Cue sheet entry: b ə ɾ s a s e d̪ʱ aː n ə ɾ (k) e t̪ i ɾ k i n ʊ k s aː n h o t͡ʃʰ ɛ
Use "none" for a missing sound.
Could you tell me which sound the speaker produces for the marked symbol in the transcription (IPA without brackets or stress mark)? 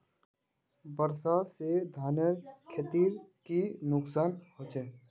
kʰ